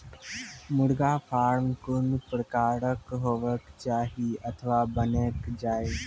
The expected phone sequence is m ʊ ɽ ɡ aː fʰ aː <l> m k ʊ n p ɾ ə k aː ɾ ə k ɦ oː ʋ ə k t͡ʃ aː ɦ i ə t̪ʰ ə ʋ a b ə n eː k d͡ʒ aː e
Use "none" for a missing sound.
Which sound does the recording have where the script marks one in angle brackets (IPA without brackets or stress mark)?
ɾ